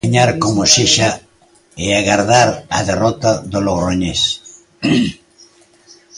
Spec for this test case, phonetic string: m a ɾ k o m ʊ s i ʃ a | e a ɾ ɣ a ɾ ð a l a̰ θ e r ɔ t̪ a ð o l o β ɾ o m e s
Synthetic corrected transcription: ɲ a ɾ k o m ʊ s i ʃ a | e a ɣ a ɾ ð a ɾ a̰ ð e r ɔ t̪ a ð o l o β ɾ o ɲ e s